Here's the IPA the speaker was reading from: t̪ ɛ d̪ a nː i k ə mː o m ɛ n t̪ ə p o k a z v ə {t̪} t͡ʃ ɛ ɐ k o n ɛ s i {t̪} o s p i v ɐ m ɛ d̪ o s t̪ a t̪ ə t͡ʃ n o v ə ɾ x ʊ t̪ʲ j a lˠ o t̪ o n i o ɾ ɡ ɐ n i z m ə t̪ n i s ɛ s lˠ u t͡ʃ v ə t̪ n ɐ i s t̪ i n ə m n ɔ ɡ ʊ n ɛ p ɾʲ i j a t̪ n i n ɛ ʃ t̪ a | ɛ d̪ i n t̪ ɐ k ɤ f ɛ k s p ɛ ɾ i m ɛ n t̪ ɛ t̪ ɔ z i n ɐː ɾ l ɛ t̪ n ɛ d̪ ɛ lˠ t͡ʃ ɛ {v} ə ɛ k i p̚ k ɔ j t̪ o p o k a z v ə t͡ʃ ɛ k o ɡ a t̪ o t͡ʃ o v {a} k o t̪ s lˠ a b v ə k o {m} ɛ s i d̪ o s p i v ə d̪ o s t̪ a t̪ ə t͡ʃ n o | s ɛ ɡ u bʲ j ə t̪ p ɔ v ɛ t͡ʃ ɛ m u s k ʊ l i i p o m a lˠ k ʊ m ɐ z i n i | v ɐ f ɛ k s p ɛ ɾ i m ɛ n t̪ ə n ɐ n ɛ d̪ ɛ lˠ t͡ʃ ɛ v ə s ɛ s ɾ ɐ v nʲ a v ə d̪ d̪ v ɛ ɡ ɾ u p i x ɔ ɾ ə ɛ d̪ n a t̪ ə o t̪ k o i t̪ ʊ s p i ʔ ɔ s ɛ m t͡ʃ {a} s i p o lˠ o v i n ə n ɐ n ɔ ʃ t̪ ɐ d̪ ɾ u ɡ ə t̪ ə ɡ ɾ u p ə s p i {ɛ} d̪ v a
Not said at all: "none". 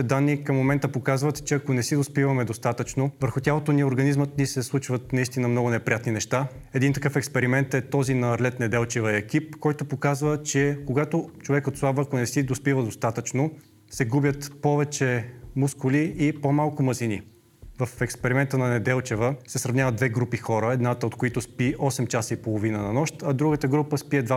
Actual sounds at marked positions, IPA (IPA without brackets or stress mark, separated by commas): t̪, d̪, v, ɛ, n, a, ɛ